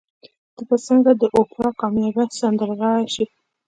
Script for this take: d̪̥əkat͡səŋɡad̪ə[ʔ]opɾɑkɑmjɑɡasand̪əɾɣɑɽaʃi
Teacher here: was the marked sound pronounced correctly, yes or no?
yes